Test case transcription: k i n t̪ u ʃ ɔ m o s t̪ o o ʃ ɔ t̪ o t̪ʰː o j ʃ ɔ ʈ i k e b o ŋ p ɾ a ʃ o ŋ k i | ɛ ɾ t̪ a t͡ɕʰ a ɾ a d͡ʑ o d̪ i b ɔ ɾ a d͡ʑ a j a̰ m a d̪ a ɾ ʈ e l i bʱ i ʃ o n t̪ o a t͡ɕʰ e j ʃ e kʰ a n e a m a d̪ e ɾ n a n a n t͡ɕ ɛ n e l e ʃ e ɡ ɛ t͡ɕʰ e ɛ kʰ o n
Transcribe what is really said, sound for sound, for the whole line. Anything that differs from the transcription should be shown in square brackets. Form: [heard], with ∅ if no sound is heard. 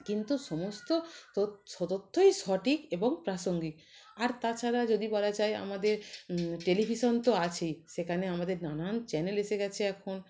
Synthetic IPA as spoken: k i n t̪ u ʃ ɔ m o s t̪ o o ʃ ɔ t̪ o t̪ʰː o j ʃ ɔ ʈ i k e b o ŋ p ɾ a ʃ o ŋ [ɡ] i | [a] ɾ t̪ a t͡ɕʰ a ɾ a d͡ʑ o d̪ i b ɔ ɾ a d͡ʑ a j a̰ m a d̪ [e] ɾ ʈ e l i bʱ i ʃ o n t̪ o a t͡ɕʰ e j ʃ e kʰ a n e a m a d̪ e ɾ n a n a n t͡ɕ ɛ n e l e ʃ e ɡ ɛ t͡ɕʰ e ɛ kʰ o n